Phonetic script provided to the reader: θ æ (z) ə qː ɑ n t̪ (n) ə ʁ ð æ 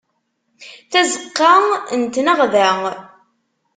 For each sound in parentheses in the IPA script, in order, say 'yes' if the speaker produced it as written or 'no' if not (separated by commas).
yes, yes